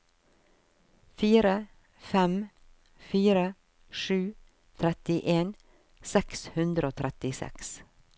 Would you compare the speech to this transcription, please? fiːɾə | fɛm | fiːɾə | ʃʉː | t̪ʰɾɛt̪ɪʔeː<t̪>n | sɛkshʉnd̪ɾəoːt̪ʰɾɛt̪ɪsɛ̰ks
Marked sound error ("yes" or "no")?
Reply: yes